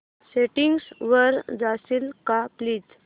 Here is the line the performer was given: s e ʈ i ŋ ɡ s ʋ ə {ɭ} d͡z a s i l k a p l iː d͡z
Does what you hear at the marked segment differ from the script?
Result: yes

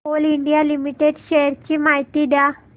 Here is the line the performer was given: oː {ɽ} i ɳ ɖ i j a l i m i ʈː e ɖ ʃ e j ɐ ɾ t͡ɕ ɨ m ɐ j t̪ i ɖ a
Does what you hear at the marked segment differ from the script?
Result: yes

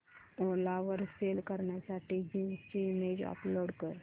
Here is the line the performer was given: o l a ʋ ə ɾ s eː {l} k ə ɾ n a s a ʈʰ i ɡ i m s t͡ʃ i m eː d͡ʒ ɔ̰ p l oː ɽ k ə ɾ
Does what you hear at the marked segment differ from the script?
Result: no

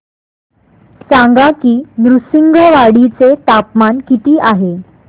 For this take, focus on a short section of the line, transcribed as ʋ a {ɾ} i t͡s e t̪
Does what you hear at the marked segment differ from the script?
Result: yes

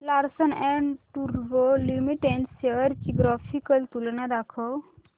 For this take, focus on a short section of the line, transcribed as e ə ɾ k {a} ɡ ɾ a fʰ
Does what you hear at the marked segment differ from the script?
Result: yes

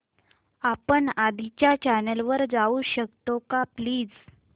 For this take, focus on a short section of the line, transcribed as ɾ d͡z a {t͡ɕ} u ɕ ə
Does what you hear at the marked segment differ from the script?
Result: yes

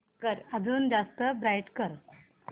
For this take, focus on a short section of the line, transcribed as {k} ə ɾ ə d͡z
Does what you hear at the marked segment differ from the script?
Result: no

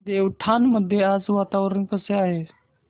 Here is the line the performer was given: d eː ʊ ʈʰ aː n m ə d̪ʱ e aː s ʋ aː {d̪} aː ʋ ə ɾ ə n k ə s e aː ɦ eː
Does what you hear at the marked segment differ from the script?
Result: yes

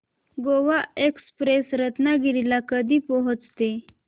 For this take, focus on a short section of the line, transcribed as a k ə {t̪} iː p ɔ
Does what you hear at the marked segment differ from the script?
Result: yes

